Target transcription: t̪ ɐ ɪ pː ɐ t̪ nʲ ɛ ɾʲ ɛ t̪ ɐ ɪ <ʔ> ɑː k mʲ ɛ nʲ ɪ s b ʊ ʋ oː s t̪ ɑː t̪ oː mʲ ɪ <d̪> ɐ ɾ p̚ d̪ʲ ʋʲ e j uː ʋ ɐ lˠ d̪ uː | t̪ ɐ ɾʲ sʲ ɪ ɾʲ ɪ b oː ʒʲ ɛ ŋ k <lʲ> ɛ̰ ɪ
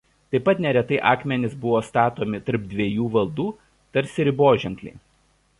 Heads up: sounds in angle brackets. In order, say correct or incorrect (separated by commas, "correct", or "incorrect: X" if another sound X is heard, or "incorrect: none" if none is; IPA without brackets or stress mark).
correct, incorrect: t̪, correct